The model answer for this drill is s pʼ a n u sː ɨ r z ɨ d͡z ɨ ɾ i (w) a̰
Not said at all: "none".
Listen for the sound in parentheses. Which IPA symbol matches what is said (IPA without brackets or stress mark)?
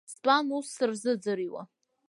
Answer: w